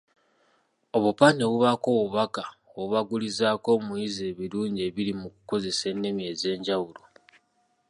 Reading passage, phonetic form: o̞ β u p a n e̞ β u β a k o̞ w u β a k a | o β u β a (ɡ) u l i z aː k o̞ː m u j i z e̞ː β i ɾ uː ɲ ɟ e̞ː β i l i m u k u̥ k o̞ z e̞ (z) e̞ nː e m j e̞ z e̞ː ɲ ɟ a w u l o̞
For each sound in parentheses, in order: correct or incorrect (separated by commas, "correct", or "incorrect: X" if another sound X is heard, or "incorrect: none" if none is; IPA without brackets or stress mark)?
correct, incorrect: s